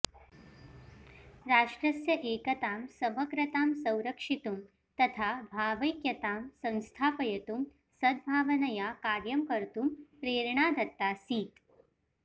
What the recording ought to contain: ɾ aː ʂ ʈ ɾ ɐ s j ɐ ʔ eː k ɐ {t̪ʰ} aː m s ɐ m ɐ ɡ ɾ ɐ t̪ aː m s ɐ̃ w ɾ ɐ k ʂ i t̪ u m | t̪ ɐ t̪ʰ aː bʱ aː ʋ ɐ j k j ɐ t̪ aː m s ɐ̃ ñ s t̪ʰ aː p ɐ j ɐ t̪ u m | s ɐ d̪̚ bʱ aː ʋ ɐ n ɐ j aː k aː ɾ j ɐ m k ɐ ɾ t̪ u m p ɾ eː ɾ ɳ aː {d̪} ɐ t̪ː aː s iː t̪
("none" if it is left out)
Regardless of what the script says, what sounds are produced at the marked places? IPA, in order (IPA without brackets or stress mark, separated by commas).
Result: t̪, d̪